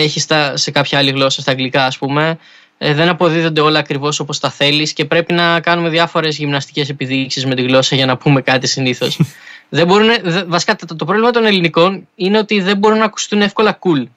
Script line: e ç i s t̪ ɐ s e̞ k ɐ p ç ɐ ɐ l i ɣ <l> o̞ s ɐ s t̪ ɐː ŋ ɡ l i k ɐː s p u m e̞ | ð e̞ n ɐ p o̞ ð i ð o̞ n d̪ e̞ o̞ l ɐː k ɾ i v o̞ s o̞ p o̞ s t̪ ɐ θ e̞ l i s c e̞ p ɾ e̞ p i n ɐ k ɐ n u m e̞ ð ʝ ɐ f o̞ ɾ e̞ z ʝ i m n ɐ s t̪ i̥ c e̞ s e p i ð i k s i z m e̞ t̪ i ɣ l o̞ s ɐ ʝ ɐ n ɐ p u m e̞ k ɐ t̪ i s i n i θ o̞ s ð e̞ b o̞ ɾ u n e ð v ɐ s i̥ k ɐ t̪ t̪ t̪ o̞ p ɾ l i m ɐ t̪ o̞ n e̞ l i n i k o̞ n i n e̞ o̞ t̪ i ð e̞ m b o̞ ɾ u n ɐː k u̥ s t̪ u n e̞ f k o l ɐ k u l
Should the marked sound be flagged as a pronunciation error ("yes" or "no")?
no